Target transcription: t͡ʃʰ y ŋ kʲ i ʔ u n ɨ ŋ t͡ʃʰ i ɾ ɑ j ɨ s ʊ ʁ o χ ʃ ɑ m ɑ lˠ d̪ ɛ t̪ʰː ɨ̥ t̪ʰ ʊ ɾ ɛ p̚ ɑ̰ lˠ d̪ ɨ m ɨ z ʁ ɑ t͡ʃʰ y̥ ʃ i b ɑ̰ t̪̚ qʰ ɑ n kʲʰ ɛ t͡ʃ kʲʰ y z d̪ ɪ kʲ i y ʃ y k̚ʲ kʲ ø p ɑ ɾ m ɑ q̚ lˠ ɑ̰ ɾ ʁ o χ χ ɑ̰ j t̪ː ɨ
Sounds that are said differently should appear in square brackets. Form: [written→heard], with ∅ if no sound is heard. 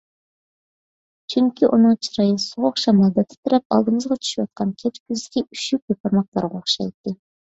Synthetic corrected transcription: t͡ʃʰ y ŋ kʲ i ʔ u n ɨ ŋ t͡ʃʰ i ɾ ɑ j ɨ s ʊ ʁ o χ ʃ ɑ m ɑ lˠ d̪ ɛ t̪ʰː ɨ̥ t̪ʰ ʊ ɾ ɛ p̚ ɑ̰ lˠ d̪ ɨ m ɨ z ʁ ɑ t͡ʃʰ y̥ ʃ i [b→w] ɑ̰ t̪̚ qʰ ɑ n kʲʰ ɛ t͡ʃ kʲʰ y z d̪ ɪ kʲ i y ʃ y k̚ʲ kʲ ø p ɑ ɾ m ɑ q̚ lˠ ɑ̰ ɾ ʁ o χ [χ→ʃ] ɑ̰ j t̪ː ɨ